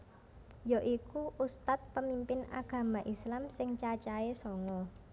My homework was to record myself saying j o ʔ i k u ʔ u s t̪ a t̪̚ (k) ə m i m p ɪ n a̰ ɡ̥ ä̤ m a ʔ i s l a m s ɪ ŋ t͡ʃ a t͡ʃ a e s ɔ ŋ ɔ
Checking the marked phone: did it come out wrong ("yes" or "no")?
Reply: yes